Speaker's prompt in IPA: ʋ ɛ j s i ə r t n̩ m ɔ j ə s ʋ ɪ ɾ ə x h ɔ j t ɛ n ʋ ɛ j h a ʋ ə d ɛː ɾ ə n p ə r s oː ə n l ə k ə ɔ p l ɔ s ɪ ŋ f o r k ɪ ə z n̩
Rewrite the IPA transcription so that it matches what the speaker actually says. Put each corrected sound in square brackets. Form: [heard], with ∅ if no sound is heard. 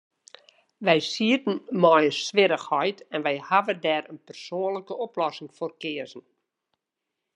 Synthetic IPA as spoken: ʋ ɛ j s i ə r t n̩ m ɔ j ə s ʋ ɪ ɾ ə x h ɔ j t ɛ n ʋ ɛ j h a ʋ ə d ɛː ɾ ə n p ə r s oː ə n l ə k ə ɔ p l ɔ s ɪ ŋ f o r k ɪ ə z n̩